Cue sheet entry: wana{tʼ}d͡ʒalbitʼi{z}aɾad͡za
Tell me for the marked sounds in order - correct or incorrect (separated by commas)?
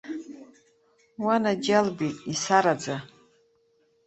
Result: incorrect, incorrect